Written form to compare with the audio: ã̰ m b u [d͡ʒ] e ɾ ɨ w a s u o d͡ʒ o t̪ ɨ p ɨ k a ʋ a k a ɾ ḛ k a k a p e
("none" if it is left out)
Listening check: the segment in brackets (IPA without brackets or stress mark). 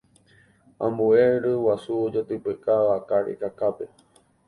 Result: none